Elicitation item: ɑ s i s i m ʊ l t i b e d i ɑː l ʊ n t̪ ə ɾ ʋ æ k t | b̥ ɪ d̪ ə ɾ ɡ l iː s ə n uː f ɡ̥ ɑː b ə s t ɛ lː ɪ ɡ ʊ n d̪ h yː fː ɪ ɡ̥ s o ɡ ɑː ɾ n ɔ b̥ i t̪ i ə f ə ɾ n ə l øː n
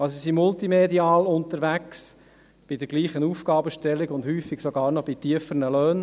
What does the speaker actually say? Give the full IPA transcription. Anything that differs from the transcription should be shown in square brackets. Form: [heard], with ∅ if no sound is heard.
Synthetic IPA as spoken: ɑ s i s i m ʊ l t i [m] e d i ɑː l ʊ n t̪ ə ɾ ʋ æ k [s] | b̥ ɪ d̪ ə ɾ ɡ l iː [χ] ə n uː f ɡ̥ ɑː b ə [ʃ] t ɛ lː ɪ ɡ ʊ n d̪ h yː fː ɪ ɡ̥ s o ɡ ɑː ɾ n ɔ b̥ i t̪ i ə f ə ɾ n ə l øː n